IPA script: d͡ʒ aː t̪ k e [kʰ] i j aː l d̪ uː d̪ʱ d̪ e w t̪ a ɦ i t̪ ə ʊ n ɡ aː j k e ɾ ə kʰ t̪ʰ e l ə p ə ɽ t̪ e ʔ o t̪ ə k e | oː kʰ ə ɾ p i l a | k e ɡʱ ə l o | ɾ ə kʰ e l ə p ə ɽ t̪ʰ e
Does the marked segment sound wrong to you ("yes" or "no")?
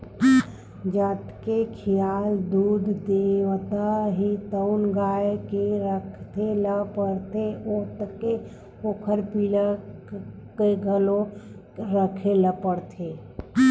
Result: no